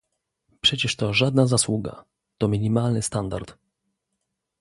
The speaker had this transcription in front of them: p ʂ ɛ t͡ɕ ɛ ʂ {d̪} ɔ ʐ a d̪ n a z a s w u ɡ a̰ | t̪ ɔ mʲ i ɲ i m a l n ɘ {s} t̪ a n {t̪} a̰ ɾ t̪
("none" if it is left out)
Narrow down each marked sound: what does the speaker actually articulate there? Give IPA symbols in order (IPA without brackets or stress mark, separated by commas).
t̪, s, d̪